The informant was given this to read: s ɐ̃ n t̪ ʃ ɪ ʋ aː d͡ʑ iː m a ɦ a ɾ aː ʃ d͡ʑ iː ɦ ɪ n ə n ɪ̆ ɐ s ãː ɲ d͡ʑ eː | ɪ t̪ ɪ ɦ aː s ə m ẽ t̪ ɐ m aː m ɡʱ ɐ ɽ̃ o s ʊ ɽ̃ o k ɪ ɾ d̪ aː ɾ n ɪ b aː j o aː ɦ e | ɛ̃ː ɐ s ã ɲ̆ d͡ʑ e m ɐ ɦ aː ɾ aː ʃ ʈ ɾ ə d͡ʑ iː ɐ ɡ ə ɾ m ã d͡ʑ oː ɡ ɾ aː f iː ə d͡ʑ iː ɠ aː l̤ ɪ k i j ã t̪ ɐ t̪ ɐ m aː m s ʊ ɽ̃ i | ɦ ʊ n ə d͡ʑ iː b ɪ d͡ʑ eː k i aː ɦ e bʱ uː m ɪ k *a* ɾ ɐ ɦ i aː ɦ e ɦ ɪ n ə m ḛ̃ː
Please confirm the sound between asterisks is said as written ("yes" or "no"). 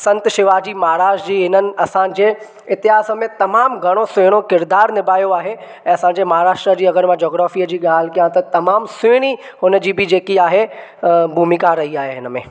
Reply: yes